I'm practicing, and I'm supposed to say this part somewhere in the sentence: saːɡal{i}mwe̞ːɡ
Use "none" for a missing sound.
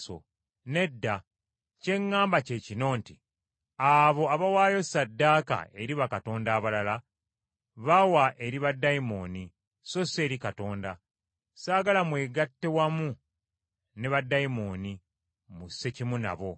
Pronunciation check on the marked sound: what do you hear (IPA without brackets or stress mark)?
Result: a